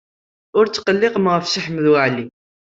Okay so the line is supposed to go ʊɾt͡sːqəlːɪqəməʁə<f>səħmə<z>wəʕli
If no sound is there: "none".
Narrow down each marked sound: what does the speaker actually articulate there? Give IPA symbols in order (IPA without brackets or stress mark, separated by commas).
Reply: f, ð